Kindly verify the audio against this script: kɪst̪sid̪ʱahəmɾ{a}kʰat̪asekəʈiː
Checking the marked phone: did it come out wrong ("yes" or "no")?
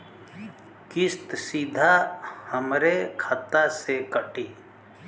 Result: yes